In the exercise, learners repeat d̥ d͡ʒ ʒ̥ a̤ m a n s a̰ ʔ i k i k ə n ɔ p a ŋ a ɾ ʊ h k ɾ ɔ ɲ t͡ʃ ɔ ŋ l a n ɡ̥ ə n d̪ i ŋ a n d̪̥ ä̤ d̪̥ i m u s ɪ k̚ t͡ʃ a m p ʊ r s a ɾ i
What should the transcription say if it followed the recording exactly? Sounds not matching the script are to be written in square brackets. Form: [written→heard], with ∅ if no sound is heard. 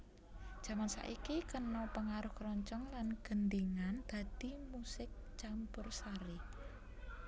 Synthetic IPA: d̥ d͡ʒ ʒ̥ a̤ m a n s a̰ ʔ i k i k ə n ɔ p [a→ə] ŋ a ɾ ʊ h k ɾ ɔ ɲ t͡ʃ ɔ ŋ l a n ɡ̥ ə n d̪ i ŋ a n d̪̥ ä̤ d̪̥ i m u s ɪ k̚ t͡ʃ a m p ʊ r s a ɾ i